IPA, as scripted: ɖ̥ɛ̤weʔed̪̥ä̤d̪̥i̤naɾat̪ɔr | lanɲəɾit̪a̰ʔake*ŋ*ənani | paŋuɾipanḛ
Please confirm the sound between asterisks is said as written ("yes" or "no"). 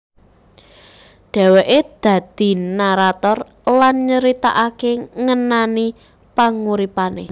yes